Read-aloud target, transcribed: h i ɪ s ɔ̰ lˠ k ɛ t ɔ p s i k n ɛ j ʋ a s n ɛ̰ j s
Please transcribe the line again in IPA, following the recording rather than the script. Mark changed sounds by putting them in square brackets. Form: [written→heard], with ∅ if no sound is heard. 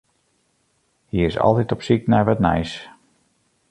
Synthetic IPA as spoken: h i ɪ s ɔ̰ lˠ [k→t] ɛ t ɔ p s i k n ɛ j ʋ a [s→t] n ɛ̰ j s